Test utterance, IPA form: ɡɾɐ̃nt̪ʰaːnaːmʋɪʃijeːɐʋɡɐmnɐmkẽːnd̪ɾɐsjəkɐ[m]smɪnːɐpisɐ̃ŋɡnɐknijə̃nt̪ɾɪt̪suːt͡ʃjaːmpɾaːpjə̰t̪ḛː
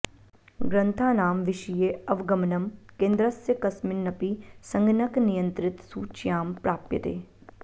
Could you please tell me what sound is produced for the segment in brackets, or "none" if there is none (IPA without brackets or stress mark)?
none